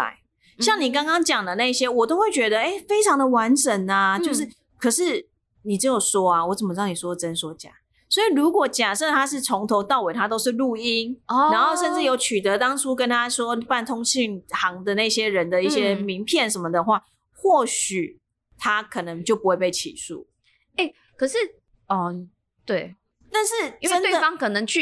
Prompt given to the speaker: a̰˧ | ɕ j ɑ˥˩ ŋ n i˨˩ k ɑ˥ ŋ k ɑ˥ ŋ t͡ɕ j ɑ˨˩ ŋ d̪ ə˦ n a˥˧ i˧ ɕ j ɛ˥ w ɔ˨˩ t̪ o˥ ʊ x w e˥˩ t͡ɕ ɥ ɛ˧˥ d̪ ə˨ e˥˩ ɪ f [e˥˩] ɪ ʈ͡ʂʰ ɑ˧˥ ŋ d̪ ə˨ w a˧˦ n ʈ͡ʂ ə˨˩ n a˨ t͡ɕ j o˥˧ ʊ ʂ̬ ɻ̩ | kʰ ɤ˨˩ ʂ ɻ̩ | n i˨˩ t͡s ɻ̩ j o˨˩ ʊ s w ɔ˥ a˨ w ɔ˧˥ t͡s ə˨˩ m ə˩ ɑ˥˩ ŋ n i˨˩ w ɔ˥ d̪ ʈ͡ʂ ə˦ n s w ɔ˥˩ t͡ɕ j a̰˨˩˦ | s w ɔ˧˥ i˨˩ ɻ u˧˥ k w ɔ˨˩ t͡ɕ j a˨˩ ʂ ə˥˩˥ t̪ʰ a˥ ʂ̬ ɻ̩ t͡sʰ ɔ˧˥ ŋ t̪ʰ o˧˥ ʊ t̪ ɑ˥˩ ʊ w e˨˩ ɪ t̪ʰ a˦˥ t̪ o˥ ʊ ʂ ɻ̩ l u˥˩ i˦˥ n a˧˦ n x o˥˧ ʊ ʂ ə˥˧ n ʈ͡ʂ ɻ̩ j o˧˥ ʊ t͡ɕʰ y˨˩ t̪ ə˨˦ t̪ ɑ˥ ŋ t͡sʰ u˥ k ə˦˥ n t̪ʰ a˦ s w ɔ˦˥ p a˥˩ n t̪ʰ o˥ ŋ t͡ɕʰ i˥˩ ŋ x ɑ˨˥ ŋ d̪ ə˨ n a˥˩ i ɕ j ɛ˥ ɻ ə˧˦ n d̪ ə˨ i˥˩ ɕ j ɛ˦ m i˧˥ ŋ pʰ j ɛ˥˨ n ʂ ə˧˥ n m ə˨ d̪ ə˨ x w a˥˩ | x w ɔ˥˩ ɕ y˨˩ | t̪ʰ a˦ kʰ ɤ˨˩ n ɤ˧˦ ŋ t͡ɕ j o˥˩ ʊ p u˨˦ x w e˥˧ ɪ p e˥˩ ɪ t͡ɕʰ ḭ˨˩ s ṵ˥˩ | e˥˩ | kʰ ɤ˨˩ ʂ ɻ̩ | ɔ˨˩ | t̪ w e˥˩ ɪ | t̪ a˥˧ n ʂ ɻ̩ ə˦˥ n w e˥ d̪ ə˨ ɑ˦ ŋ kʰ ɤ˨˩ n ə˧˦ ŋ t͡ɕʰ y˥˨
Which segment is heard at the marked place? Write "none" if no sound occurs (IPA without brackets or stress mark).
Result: e˥